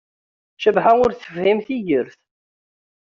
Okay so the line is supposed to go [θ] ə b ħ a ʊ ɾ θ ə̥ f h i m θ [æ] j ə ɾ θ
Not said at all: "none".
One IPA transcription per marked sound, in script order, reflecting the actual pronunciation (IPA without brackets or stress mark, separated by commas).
ʃ, i